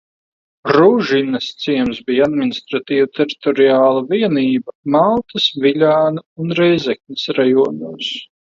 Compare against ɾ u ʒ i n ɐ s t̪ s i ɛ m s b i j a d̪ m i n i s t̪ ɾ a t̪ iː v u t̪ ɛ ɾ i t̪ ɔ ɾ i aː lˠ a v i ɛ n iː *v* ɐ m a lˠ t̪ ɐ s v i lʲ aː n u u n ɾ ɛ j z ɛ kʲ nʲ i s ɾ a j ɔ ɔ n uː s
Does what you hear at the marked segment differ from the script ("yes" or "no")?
yes